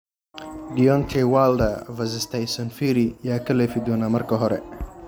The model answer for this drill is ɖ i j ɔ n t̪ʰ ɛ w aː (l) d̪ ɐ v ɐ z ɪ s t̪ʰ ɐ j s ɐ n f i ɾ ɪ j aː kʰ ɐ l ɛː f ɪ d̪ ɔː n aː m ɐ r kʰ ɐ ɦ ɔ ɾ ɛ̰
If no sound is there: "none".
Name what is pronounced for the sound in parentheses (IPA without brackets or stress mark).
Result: l